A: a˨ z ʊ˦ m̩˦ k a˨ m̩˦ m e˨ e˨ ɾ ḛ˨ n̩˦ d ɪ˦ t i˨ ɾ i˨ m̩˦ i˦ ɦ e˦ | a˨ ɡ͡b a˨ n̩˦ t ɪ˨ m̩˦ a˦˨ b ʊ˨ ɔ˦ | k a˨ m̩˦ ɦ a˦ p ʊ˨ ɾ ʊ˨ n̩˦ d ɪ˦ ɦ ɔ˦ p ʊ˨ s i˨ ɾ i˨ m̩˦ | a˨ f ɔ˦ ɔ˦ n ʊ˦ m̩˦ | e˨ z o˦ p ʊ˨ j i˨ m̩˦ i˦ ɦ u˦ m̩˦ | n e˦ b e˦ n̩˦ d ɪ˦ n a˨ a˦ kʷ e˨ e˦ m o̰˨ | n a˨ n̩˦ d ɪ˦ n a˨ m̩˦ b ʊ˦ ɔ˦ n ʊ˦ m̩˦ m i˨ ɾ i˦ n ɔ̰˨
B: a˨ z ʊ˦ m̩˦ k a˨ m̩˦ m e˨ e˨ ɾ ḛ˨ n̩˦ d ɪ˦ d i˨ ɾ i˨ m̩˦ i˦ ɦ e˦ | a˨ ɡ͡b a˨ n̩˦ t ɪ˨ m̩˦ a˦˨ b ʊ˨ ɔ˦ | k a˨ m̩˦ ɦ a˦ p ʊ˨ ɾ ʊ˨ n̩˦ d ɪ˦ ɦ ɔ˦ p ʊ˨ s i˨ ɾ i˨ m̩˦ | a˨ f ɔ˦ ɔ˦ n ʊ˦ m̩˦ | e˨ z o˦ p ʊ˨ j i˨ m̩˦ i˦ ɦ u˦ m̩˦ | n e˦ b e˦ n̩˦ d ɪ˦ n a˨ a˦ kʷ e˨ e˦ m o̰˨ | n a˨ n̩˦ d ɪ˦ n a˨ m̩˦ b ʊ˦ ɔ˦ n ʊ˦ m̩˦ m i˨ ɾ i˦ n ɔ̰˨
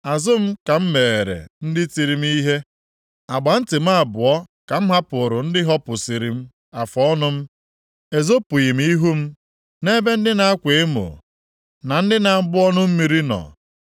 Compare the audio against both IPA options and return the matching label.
A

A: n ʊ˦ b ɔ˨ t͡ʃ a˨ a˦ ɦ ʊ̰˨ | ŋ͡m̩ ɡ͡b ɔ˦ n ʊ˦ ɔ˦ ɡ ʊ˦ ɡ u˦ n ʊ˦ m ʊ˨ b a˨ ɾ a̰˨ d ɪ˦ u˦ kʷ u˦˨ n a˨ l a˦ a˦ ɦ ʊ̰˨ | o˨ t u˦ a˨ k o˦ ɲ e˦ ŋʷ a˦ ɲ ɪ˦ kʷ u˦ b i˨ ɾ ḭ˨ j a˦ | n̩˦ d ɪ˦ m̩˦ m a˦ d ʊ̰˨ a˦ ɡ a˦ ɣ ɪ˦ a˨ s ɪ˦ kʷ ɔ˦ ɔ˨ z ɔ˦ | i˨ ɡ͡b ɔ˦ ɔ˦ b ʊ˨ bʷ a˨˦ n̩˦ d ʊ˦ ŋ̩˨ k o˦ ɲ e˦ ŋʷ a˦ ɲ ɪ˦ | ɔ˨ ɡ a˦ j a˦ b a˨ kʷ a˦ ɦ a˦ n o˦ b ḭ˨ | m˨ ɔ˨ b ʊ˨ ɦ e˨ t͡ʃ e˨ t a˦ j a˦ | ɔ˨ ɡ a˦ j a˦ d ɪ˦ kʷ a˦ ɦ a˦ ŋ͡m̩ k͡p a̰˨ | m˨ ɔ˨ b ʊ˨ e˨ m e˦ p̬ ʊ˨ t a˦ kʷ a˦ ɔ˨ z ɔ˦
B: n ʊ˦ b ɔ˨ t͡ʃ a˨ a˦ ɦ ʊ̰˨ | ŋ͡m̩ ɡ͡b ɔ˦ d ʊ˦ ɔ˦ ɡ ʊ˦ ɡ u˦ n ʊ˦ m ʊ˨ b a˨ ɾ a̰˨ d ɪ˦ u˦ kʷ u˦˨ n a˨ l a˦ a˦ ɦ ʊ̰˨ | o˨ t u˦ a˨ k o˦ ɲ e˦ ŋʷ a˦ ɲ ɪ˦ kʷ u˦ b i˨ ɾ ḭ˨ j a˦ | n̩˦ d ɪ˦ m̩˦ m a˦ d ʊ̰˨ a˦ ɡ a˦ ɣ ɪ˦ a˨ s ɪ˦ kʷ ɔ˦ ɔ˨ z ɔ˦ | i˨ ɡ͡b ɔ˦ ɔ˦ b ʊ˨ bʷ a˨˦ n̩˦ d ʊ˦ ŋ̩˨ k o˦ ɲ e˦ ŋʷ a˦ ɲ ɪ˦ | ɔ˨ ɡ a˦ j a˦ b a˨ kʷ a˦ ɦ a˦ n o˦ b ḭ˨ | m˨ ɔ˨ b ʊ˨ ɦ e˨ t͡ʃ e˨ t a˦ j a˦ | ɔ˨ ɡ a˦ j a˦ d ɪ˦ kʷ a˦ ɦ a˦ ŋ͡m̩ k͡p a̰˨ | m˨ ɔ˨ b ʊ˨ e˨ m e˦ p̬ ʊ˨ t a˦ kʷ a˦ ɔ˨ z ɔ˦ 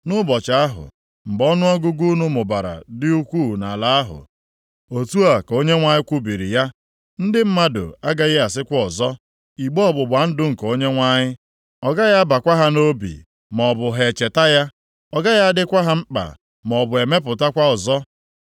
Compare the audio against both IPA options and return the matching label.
A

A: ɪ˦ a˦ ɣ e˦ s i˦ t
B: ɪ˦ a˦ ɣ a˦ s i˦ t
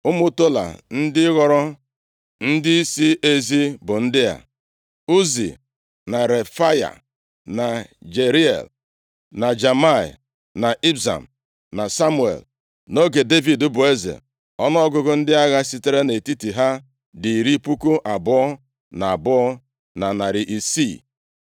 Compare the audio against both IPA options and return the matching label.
B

